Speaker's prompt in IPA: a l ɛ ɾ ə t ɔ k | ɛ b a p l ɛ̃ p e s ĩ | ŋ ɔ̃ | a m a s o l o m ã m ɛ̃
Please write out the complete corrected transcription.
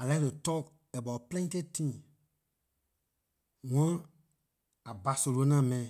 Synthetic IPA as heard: a l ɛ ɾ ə t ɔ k | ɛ b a p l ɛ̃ t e t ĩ | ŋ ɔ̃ | a b a s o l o n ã m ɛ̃